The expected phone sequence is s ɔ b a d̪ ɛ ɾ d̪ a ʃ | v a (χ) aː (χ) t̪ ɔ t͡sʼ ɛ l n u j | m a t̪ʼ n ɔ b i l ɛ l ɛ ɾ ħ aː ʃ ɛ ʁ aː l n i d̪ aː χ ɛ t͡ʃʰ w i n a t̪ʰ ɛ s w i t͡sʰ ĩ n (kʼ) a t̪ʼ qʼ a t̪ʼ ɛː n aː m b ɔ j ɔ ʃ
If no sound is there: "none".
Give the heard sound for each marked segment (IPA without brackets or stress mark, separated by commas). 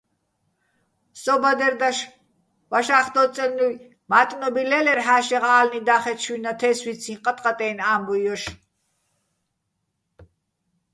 ʃ, χ, qʼ